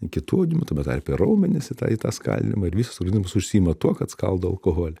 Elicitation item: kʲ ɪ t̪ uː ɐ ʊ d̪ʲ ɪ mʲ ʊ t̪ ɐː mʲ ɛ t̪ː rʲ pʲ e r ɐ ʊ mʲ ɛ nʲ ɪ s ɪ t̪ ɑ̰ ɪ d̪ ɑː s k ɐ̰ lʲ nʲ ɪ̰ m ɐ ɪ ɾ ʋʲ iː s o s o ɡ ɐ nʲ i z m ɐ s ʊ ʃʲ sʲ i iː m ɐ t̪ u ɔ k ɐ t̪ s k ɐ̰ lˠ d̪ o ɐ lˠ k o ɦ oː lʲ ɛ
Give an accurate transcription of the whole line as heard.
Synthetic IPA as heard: kʲ ɪ t̪ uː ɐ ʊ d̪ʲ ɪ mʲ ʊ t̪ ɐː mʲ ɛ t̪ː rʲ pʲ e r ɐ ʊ mʲ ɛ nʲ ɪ s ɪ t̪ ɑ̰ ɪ t̪ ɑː s k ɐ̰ lʲ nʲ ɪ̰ m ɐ ɪ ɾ ʋʲ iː s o s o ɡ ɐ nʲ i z m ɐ s ʊ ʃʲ sʲ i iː m ɐ t̪ u ɔ k ɐ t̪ s k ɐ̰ lˠ d̪ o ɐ lˠ k o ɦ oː lʲ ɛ